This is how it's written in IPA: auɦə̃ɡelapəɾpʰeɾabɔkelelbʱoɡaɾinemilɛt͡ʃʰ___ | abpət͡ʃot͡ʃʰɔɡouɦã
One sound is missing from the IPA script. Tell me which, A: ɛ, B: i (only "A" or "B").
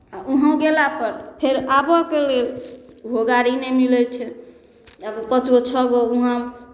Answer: A